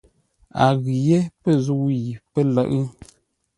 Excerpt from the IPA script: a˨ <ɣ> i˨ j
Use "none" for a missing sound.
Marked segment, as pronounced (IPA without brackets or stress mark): ɣ